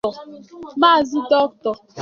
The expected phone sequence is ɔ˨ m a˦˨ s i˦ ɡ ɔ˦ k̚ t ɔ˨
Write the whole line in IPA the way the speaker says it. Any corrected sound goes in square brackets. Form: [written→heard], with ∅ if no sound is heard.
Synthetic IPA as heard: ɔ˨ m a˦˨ [s→z] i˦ [ɡ→d] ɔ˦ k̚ t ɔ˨